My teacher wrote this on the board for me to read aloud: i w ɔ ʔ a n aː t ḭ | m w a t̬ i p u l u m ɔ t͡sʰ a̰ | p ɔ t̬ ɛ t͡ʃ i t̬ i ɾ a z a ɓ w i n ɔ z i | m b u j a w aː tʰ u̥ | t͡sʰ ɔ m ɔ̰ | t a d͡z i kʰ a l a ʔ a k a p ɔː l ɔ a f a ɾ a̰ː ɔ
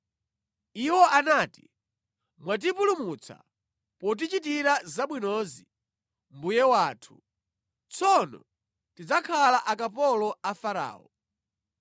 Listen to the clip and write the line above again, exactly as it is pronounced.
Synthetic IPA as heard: i w ɔ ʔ a n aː t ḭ | m w a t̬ i p u l u m u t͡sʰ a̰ | p ɔ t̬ i t͡ʃ i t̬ i ɾ a z a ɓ w i n ɔ z i | m b u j ɛ w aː tʰ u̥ | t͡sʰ ɔ n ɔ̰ | t i d͡z a kʰ a l a ʔ a k a p ɔ l ɔ a f a ɾ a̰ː ɔ